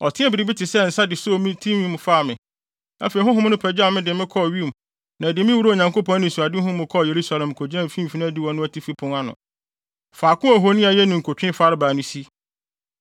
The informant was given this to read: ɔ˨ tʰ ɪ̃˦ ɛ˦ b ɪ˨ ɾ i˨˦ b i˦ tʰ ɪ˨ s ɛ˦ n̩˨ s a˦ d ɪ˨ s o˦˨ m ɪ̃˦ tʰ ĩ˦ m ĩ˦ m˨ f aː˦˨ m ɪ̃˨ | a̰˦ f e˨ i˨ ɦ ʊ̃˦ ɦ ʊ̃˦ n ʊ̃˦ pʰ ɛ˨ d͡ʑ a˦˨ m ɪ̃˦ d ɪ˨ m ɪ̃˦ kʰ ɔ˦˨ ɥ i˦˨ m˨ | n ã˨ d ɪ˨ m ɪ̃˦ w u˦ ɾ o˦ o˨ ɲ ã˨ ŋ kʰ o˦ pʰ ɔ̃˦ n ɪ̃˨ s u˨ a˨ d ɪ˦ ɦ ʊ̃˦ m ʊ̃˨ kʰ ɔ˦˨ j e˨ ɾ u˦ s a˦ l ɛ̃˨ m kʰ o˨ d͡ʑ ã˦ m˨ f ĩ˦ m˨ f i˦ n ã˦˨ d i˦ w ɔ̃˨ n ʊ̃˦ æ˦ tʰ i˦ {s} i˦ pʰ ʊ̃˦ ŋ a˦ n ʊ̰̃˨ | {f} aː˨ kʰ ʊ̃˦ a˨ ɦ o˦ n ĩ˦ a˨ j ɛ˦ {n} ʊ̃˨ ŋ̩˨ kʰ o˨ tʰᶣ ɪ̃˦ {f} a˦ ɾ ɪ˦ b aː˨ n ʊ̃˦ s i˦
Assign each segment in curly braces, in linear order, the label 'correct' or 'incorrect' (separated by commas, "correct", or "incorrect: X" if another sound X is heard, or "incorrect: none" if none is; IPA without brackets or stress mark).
incorrect: f, correct, correct, correct